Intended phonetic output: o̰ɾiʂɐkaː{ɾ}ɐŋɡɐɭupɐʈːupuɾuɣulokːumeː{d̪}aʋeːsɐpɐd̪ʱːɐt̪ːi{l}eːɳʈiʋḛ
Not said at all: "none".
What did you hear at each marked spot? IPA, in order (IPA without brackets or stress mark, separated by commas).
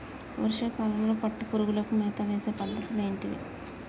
l, t̪, l